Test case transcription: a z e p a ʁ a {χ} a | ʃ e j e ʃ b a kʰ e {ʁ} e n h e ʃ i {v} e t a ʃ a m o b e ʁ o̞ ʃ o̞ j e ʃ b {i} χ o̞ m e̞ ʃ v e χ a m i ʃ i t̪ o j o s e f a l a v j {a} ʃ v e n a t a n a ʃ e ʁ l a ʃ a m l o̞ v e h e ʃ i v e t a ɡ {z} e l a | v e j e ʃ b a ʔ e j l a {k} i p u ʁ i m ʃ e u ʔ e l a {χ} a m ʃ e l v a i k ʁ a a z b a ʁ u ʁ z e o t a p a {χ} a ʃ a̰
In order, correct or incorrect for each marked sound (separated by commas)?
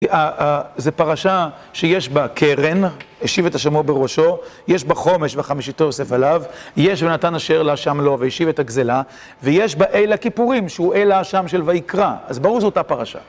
incorrect, correct, correct, incorrect, incorrect, correct, correct, incorrect, incorrect